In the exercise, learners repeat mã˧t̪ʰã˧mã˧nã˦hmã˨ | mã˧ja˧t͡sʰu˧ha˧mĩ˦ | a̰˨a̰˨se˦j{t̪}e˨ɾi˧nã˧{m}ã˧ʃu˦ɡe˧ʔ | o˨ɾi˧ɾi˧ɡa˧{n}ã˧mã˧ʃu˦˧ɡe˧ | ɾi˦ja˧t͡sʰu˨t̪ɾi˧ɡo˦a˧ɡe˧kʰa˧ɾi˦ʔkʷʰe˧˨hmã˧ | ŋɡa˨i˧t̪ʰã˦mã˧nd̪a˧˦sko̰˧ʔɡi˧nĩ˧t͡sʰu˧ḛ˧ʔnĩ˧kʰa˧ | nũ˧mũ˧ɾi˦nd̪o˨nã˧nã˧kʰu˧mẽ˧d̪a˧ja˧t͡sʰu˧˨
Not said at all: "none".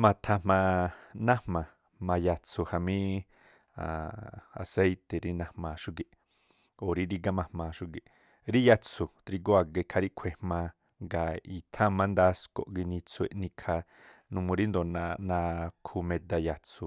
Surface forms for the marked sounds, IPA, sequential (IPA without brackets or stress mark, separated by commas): t̪, m, m